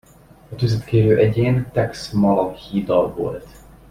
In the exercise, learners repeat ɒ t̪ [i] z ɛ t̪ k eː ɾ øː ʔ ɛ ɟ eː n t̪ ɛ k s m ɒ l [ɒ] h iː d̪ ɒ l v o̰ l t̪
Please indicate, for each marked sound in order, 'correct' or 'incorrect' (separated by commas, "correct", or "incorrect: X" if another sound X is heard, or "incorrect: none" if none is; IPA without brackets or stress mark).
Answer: incorrect: y, correct